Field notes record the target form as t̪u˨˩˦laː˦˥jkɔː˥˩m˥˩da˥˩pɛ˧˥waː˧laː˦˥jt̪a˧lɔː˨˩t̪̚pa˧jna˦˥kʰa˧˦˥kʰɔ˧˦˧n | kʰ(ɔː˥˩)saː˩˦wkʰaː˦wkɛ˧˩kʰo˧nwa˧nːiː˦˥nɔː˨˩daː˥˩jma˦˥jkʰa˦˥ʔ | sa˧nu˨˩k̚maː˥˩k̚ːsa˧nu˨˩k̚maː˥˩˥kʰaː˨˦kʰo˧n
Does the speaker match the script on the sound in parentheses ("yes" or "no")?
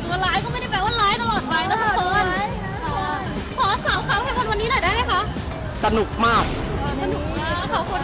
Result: no